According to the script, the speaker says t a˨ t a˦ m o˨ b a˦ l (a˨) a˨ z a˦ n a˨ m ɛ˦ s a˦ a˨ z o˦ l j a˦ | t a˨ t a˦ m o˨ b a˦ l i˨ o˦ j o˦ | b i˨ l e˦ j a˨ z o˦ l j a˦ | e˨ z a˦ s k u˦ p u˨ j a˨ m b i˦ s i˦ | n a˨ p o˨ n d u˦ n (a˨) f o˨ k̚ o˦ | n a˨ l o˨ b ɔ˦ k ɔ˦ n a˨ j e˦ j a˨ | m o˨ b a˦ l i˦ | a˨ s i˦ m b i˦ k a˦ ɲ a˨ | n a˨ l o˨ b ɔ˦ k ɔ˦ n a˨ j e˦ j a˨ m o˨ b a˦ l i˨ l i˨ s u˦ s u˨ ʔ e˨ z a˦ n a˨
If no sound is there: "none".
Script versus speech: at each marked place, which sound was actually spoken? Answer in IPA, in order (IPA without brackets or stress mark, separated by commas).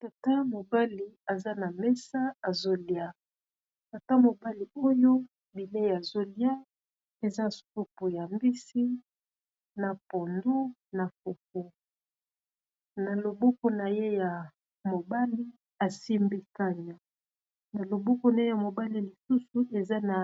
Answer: i˨, a˨